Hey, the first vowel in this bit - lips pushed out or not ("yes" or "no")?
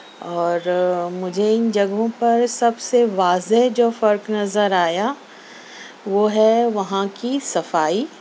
yes